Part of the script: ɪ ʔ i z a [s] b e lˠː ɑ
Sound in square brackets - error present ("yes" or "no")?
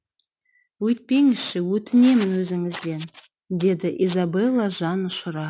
yes